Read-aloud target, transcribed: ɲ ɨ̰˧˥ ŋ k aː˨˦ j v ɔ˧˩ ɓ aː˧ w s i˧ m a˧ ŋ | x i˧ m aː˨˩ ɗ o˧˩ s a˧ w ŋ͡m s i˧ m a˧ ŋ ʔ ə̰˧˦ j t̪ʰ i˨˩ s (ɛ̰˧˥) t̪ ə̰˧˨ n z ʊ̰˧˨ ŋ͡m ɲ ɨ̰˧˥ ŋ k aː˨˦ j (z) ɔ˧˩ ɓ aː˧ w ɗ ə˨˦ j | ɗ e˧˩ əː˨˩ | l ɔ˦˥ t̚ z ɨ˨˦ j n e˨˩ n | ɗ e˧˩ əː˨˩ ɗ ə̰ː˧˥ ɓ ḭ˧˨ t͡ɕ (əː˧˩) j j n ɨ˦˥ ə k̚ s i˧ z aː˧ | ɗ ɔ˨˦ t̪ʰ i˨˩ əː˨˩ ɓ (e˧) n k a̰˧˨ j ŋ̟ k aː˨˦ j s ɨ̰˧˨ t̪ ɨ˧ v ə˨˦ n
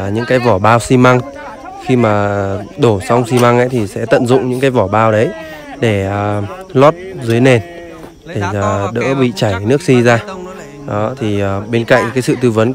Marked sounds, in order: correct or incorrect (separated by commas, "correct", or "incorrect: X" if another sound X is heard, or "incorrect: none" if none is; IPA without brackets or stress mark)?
correct, incorrect: v, incorrect: aː˧˩, correct